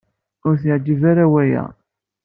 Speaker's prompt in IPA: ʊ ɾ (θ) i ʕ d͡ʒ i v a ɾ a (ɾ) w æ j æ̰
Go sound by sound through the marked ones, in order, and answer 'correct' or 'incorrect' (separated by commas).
correct, incorrect